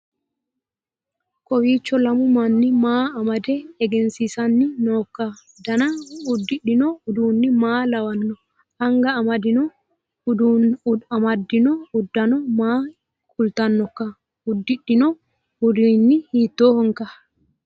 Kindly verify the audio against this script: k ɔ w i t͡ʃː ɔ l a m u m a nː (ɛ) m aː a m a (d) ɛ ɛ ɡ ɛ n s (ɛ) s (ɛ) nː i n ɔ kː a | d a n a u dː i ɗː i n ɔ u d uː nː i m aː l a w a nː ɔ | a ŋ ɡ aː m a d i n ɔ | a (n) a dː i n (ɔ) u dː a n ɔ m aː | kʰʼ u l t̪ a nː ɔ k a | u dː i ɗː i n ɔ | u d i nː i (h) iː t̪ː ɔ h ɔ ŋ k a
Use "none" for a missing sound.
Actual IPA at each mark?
i, d, i, a, m, ɔ, h

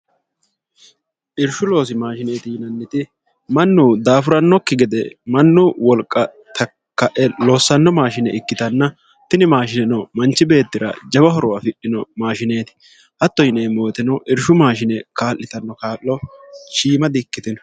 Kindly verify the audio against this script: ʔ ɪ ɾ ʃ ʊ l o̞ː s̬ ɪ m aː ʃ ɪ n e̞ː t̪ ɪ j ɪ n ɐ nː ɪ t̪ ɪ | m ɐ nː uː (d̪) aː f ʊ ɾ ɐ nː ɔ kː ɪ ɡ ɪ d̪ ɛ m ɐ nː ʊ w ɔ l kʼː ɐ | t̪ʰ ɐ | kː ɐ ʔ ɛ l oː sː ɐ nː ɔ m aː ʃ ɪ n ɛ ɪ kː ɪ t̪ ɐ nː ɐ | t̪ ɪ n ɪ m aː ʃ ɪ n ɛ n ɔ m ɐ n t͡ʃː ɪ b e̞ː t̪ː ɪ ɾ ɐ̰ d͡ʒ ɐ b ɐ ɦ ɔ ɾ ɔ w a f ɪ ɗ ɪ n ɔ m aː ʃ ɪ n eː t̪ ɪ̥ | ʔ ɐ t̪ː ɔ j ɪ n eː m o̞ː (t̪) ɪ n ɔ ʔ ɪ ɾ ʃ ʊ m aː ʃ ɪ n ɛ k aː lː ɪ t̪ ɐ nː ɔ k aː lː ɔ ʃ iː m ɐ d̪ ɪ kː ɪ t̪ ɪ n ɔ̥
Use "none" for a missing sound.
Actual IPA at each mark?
d̪, t̪

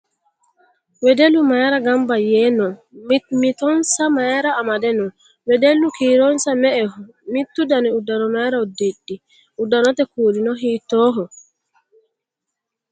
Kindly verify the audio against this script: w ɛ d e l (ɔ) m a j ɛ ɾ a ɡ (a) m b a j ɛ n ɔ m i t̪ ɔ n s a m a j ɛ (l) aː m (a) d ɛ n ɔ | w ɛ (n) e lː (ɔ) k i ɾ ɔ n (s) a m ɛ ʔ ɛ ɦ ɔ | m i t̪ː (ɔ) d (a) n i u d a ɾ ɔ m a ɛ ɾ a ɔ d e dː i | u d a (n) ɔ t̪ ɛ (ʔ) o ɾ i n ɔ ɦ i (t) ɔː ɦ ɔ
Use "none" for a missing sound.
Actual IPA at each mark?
u, a, ɾ, a, d, u, s, u, a, n, k, t

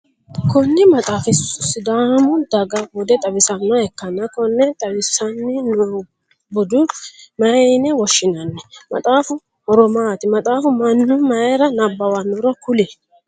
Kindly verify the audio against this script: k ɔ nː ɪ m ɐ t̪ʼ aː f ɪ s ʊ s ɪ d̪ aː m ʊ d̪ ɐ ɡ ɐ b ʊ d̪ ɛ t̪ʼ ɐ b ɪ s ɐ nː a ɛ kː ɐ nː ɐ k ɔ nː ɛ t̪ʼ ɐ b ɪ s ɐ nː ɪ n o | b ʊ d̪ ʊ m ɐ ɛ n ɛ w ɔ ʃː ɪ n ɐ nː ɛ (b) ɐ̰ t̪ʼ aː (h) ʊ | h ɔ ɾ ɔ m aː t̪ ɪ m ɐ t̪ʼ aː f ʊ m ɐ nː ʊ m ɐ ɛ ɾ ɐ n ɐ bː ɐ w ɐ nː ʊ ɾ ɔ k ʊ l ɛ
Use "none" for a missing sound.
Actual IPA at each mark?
m, f

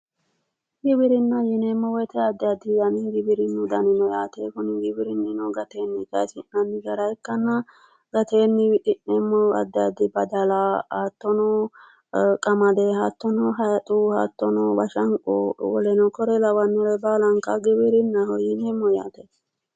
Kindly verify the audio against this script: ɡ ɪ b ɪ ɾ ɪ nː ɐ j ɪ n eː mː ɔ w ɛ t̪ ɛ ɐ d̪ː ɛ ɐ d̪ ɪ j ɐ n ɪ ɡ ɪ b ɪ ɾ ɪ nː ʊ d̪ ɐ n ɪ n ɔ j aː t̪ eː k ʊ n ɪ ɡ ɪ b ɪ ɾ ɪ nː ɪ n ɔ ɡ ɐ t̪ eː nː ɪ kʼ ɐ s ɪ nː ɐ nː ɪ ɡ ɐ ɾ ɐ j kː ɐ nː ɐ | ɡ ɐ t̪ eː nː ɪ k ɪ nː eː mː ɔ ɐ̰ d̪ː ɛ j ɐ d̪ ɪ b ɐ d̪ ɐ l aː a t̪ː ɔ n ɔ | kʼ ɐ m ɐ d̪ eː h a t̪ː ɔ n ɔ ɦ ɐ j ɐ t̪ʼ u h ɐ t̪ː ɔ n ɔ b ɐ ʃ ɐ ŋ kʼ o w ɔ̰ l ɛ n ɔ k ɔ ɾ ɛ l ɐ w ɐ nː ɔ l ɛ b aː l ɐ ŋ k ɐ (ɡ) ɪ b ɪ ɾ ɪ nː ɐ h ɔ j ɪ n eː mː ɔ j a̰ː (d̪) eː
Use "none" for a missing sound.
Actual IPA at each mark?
ɡ, t̪

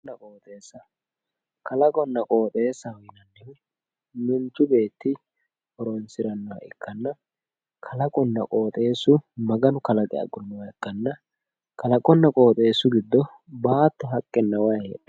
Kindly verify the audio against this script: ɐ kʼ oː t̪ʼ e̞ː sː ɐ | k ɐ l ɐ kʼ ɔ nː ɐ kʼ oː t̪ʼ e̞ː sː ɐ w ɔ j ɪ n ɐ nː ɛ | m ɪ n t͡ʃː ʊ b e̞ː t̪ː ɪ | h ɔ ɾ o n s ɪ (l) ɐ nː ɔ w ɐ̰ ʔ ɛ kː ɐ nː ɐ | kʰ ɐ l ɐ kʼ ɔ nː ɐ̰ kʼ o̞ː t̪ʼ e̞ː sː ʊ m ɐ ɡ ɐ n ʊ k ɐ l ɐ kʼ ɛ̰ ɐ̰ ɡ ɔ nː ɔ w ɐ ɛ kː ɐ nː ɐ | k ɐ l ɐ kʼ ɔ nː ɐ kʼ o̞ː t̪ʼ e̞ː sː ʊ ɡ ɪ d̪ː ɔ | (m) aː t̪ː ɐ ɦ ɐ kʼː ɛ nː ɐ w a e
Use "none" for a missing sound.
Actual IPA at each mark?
ɾ, b

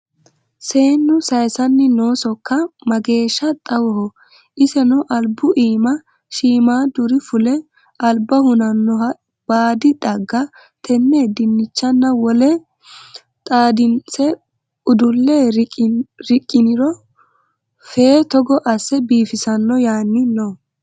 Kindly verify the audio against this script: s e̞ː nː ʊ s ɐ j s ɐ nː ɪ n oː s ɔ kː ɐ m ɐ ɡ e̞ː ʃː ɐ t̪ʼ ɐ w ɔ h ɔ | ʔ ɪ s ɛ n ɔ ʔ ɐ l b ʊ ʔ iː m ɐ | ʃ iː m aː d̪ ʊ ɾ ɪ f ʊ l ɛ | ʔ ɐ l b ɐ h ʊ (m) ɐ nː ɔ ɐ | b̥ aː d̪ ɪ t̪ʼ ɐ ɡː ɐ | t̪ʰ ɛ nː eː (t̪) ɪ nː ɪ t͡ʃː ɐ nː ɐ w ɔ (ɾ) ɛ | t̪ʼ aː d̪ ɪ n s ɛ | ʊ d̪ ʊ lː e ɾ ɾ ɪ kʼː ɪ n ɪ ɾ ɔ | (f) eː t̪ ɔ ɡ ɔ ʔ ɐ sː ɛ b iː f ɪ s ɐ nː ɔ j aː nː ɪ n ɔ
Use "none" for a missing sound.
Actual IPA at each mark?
n, d̪, l, f

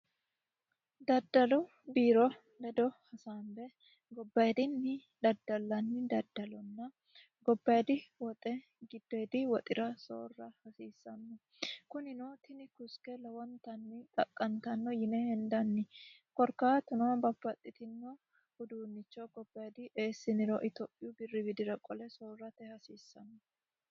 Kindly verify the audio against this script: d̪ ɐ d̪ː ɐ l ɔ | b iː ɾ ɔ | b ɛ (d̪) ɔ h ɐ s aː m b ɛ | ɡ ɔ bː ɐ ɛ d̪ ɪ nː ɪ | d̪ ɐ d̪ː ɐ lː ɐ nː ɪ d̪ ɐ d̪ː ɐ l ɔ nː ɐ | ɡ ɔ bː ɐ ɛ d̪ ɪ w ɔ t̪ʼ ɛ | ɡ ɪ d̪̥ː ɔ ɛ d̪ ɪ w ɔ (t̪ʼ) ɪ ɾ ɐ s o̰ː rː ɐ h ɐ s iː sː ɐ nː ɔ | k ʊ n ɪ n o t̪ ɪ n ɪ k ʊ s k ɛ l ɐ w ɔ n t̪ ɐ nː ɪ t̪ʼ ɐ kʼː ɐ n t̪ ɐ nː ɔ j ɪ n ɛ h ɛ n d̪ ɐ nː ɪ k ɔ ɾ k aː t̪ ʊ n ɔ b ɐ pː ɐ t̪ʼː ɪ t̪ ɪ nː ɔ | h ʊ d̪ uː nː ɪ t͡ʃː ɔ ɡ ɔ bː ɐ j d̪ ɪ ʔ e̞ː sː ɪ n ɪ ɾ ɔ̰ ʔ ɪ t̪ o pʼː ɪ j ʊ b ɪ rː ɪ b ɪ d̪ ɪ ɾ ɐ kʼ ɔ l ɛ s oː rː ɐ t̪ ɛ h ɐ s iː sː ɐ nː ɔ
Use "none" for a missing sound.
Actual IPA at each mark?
d̪, t̪ʼ

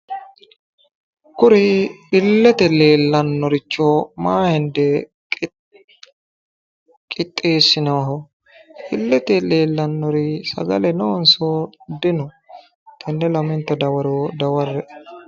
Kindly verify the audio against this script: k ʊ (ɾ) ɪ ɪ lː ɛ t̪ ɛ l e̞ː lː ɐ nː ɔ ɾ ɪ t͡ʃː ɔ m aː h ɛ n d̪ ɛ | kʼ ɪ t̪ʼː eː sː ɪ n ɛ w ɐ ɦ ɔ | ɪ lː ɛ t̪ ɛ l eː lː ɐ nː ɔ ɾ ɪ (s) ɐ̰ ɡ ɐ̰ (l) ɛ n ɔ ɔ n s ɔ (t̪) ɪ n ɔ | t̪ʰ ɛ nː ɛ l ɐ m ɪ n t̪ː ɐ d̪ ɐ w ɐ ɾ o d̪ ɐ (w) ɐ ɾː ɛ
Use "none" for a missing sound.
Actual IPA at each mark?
ɾ, s, l, d̪, w

